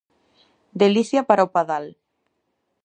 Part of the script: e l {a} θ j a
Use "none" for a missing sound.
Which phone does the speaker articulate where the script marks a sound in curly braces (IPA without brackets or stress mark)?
i